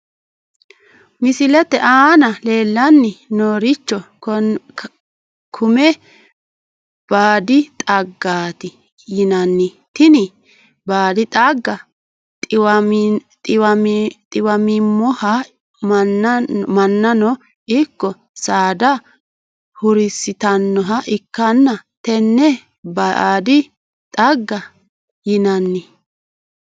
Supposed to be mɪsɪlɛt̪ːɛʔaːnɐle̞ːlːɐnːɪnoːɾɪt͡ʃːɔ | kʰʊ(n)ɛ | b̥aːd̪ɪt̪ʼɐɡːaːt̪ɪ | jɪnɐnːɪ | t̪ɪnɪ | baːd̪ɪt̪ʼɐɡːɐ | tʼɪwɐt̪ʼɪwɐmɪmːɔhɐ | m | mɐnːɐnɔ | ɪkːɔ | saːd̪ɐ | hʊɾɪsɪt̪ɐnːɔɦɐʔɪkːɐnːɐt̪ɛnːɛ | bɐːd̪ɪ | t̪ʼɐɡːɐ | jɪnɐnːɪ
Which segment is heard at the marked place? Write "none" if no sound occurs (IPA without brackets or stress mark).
m